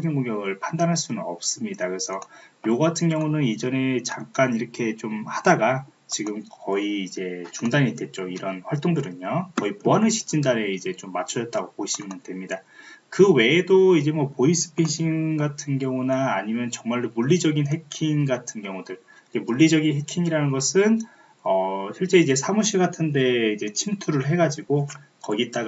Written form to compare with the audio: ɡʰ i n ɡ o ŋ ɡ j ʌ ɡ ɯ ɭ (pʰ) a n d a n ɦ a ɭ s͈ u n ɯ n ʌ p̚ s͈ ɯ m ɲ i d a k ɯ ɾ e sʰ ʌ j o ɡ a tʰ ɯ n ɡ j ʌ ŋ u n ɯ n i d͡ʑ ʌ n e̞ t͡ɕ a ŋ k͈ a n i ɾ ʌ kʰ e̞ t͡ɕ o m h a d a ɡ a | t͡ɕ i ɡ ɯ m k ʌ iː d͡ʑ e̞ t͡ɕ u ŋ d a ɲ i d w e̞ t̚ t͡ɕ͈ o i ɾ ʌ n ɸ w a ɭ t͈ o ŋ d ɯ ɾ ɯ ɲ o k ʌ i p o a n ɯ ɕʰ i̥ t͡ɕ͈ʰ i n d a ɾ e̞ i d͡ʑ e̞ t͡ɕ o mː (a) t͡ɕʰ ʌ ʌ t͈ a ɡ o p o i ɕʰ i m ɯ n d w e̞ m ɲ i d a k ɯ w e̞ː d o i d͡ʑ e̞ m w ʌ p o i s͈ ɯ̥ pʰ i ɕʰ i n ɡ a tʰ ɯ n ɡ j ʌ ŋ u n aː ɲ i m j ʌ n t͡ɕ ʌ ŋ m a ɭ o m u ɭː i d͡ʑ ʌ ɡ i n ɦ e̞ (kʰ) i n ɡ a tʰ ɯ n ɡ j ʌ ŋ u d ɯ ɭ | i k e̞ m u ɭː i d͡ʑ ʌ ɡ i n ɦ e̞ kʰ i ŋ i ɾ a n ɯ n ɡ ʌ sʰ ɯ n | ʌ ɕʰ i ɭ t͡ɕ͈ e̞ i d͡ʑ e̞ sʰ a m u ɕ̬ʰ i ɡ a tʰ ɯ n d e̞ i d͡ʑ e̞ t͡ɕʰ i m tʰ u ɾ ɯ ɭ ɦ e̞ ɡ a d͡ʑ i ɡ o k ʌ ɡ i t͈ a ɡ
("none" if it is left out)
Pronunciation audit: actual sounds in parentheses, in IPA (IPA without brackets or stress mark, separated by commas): pʰ, a, kʰ